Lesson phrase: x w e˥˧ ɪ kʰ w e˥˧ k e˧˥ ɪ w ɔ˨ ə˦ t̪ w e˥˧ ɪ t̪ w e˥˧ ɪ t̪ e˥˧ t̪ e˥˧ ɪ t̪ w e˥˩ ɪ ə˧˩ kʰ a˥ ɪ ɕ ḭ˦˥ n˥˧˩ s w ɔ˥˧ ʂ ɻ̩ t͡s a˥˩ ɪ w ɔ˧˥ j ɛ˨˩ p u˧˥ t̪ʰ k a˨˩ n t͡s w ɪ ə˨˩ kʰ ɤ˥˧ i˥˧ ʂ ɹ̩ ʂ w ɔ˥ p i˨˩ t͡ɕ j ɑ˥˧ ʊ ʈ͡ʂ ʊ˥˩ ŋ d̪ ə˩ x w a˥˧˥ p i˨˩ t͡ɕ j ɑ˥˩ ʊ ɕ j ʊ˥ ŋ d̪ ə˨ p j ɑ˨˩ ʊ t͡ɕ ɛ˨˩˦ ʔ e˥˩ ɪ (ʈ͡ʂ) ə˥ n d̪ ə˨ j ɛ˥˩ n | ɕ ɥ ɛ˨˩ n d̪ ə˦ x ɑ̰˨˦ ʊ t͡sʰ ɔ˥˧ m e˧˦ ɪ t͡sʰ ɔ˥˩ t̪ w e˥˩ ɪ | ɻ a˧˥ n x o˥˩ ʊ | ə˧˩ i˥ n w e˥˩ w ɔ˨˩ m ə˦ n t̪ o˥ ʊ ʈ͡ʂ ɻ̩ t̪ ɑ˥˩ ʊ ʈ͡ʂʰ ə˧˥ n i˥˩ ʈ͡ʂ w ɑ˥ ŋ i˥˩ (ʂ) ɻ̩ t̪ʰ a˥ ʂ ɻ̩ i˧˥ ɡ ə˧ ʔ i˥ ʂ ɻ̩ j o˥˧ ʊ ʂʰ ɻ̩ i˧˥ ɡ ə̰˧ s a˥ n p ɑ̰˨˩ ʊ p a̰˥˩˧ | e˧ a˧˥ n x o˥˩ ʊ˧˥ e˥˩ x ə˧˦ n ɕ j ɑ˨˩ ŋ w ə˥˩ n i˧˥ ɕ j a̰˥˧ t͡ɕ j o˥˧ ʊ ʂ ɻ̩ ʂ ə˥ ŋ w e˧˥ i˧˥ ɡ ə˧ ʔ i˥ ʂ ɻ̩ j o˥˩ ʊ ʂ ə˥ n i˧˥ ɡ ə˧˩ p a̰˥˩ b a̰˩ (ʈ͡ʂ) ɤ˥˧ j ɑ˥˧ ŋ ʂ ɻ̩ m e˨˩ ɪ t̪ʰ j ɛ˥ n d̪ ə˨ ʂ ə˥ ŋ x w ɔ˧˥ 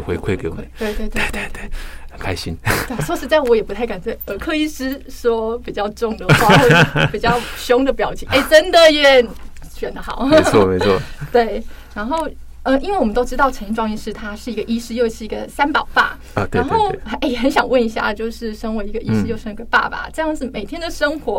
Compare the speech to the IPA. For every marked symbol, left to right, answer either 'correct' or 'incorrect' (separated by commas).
correct, correct, correct